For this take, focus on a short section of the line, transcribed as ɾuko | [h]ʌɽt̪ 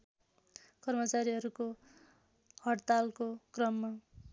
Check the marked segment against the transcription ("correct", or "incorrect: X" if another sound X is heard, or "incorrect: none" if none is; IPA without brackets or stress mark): correct